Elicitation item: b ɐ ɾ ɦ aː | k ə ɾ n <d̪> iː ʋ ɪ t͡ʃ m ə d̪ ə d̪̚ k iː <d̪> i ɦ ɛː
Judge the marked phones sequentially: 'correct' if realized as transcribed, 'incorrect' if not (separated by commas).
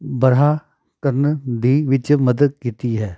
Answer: correct, incorrect